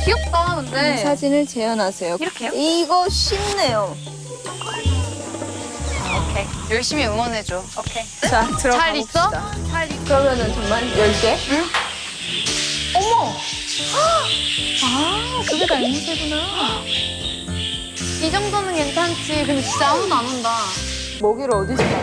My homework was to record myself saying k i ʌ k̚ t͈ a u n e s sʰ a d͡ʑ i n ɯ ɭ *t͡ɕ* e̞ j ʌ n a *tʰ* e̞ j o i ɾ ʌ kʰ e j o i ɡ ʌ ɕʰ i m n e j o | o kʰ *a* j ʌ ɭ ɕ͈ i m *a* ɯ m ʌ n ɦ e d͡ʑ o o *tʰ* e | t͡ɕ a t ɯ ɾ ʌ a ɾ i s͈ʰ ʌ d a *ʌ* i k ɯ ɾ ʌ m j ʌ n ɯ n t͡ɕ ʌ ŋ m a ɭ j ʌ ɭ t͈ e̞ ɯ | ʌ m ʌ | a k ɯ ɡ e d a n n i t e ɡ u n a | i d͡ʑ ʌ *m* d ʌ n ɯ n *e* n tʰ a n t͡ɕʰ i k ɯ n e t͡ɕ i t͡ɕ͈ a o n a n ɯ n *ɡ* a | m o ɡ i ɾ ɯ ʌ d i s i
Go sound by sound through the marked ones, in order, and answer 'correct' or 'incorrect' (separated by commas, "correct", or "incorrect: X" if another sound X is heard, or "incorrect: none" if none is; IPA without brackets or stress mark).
correct, incorrect: sʰ, incorrect: e, incorrect: i, incorrect: kʰ, incorrect: a, incorrect: ŋ, correct, incorrect: d